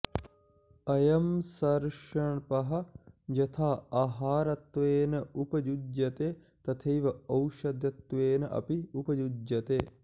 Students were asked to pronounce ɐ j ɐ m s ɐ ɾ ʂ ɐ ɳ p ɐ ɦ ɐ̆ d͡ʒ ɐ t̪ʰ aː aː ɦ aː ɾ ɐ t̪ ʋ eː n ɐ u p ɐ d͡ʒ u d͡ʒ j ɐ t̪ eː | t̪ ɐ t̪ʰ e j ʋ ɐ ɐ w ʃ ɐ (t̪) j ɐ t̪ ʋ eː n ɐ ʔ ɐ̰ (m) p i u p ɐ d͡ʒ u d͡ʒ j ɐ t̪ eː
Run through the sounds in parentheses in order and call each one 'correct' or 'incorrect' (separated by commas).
incorrect, incorrect